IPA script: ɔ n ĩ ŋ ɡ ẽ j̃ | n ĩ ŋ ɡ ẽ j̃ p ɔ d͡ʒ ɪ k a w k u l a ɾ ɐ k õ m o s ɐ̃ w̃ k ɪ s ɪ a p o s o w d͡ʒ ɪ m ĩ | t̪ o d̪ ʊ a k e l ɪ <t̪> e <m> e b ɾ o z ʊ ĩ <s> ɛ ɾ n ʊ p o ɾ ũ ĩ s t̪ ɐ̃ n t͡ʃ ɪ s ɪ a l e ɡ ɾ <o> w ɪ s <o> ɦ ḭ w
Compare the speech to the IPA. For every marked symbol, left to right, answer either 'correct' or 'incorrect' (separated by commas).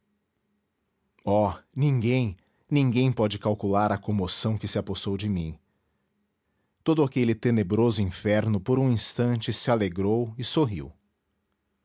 correct, incorrect, incorrect, correct, correct